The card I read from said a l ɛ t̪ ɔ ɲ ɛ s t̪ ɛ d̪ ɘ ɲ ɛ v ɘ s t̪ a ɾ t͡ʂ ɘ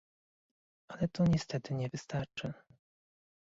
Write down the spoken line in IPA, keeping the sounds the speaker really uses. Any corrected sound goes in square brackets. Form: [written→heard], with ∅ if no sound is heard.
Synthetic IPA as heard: a l ɛ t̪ ɔ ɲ ɛ s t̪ ɛ [d̪→t̪] ɘ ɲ ɛ v ɘ s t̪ a ɾ t͡ʂ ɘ